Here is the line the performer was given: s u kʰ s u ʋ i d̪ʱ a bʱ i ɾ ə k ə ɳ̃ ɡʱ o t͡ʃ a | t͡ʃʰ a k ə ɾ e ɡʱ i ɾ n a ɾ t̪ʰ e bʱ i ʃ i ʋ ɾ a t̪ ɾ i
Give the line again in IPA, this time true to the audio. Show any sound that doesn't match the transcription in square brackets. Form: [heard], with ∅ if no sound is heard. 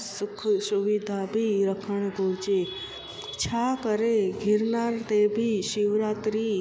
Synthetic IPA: s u kʰ s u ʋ i d̪ʱ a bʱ i ɾ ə [kʰ] ə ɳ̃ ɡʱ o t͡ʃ [e] | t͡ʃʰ a k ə ɾ e ɡʱ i ɾ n a ɾ [t̪] e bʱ i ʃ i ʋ ɾ a t̪ ɾ i

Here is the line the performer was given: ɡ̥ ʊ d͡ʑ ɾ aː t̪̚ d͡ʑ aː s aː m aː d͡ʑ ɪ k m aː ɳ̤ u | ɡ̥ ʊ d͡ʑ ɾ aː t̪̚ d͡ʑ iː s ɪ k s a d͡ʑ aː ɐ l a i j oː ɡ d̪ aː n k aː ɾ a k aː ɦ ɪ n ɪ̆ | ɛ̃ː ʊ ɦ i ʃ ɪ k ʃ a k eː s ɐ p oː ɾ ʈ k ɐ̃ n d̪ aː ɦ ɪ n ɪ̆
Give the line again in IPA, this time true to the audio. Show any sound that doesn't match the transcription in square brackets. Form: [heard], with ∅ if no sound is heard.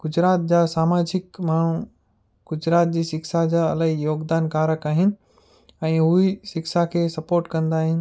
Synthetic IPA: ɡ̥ ʊ d͡ʑ ɾ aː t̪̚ d͡ʑ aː s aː m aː d͡ʑ ɪ k m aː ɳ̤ u | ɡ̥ ʊ d͡ʑ ɾ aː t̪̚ d͡ʑ iː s ɪ k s a d͡ʑ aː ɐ l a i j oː ɡ d̪ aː n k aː ɾ [ə] k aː ɦ ɪ n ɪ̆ | ɛ̃ː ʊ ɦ i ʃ ɪ k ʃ a [kʰ] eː s ɐ p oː ɾ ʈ k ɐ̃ n d̪ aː ɦ ɪ n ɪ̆

